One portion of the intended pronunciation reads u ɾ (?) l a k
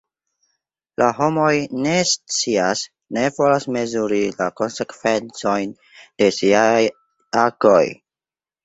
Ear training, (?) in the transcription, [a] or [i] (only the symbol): i